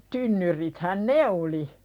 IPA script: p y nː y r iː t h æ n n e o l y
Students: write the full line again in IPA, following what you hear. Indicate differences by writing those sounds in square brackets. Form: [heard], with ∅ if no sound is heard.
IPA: [t] y nː y r [i] t h æ n n e o l [i]